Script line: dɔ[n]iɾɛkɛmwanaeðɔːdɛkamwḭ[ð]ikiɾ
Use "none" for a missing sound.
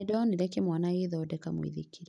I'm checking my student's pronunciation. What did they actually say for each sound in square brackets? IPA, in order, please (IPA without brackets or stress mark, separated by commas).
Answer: n, ð